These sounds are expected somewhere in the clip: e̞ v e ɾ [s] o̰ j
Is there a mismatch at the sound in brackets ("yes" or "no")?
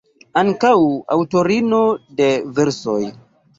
no